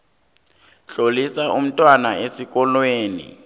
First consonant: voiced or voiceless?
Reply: voiceless